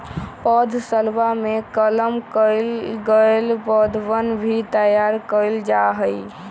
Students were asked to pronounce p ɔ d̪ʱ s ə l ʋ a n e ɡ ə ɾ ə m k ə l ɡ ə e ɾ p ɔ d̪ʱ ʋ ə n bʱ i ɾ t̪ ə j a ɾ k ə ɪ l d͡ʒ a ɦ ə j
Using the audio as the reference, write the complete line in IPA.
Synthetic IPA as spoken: p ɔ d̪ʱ s ə l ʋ a m e k ə l ə m k ə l ɡ ə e l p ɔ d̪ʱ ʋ ə n bʱ i t̪ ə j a ɾ k ə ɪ l d͡ʒ a ɦ ə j